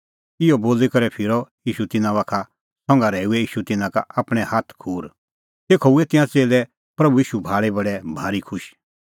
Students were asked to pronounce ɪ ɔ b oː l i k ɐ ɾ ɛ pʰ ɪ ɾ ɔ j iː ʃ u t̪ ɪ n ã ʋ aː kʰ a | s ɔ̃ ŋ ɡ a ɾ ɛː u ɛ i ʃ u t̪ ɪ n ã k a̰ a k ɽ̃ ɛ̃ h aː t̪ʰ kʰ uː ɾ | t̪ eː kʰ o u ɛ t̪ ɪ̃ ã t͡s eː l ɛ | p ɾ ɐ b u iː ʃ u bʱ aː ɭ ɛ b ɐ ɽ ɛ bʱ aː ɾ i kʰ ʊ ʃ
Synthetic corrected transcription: ɪ ɔ b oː l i k ɐ ɾ ɛ pʰ ɪ ɾ ɔ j iː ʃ u t̪ ɪ n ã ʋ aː kʰ a | s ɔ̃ ŋ ɡ a ɾ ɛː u ɛ iː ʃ u t̪ ɪ n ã k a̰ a p ɽ̃ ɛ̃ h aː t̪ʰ kʰ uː ɾ | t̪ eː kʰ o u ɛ t̪ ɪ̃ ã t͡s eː l ɛ | p ɾ ɐ b u iː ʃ u bʱ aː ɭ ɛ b ɐ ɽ ɛ bʱ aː ɾ i kʰ ʊ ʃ